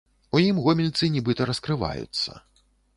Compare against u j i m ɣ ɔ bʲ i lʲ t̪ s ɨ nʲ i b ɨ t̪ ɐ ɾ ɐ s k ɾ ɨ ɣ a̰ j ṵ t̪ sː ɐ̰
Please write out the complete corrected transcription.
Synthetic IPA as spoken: u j i m ɣ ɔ mʲ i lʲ t̪ s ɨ nʲ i b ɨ t̪ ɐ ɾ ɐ s k ɾ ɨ v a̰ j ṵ t̪ sː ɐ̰